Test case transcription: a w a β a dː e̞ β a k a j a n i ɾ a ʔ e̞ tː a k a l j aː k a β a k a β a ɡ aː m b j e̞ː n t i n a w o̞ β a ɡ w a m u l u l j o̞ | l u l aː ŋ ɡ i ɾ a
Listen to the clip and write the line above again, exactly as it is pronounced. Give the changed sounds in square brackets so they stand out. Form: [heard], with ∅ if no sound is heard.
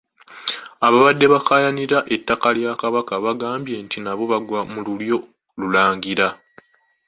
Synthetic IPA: a [β] a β a dː e̞ β a k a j a n i ɾ a ʔ e̞ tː a k a l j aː k a β a k a β a ɡ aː m b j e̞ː n t i n a [β] o̞ β a ɡ w a m u l u l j o̞ | l u l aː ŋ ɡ i ɾ a